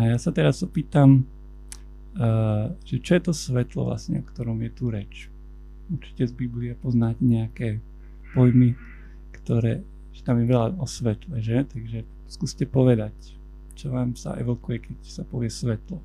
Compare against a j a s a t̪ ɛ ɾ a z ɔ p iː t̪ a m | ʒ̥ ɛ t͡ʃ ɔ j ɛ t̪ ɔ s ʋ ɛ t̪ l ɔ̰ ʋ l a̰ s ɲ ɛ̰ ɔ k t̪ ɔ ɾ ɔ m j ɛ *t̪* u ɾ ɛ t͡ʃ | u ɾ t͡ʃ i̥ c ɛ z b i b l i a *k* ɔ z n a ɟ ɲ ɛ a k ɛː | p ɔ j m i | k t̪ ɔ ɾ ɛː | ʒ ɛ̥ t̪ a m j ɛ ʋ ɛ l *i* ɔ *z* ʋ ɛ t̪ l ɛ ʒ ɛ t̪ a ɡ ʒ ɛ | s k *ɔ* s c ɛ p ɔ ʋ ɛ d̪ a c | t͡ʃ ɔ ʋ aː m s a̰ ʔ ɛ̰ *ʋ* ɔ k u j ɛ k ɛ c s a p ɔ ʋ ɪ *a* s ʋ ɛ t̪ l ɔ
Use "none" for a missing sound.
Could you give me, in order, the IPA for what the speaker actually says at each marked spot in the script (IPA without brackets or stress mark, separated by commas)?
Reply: t̪, p, a, s, u, ʋ, ɛ